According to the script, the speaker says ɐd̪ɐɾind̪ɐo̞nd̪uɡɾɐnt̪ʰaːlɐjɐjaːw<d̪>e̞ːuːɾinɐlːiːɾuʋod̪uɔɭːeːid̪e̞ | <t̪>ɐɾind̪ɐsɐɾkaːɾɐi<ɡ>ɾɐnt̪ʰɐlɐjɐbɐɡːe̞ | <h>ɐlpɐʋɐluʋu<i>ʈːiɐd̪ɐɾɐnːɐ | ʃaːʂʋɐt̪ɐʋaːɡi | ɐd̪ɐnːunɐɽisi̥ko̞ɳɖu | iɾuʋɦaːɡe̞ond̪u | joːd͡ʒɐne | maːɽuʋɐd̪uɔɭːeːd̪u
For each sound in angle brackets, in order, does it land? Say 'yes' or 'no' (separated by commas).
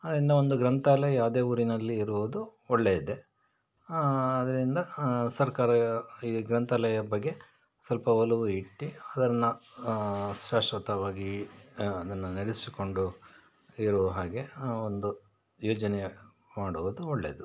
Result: yes, no, yes, no, yes